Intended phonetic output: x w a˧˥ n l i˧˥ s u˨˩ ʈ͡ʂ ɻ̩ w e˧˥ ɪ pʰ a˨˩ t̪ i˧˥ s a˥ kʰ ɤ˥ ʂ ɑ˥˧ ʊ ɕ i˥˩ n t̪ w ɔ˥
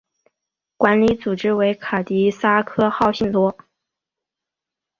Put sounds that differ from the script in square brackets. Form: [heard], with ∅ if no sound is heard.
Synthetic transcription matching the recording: [k] w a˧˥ n l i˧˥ [t͡s] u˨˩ ʈ͡ʂ ɻ̩ w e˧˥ ɪ [kʰ] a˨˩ t̪ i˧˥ s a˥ kʰ ɤ˥ [x] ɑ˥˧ ʊ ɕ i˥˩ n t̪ w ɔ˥